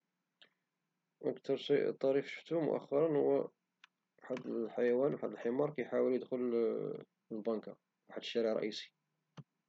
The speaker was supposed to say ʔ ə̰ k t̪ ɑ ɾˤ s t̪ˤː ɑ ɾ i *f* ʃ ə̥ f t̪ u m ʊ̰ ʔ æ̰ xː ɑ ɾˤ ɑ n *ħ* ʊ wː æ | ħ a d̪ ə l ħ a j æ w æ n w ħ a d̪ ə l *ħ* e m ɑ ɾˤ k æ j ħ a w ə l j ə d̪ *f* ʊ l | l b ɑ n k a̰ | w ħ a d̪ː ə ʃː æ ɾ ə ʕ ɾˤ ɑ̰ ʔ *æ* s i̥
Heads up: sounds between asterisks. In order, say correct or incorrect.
correct, incorrect: h, correct, incorrect: x, incorrect: i

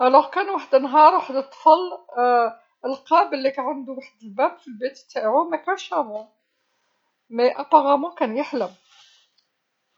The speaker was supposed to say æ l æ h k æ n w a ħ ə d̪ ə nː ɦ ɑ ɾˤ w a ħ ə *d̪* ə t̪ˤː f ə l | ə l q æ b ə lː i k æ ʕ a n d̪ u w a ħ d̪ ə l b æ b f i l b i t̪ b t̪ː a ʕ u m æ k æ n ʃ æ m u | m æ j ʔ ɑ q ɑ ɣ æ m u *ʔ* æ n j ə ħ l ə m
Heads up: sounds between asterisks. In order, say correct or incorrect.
correct, incorrect: k

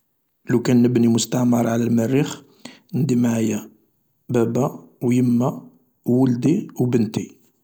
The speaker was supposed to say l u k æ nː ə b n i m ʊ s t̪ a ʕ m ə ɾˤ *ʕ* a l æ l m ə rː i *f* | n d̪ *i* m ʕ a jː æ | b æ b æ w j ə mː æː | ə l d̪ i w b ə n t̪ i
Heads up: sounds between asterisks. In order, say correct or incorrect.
correct, incorrect: x, correct

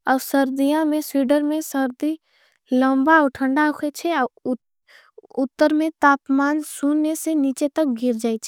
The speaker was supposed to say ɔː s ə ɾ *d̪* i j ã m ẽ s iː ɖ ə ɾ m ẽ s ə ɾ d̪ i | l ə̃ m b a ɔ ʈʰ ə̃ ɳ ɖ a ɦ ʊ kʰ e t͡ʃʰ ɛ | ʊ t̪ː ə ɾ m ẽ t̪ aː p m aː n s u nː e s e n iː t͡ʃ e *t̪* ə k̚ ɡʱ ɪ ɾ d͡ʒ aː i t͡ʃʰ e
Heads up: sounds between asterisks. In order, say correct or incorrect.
correct, correct

